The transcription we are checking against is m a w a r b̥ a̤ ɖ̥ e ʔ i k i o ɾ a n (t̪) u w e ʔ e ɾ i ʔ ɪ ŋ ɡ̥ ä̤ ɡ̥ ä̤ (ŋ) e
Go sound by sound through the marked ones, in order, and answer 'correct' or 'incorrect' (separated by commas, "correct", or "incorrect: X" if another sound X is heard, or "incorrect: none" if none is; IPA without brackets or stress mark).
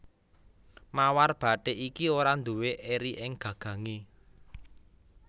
incorrect: d̪, correct